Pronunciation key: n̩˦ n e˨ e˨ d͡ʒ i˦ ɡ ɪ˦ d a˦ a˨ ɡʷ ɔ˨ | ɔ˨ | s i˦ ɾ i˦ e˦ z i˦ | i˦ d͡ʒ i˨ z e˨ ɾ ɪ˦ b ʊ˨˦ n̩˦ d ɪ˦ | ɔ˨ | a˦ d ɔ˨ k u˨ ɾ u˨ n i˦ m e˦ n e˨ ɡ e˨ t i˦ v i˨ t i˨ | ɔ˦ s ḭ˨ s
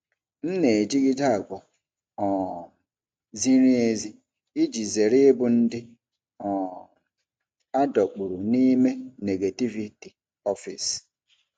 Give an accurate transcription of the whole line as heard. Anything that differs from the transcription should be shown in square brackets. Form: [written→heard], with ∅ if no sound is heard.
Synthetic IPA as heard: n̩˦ n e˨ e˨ d͡ʒ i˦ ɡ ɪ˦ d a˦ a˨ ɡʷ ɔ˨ | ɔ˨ | [s→z] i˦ ɾ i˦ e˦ z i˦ | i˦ d͡ʒ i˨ z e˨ ɾ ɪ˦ b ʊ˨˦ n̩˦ d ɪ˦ | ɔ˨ | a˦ d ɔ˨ [k→k͡p] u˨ ɾ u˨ n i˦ m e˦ n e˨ ɡ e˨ t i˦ v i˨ t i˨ | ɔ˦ [s→f] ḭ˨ s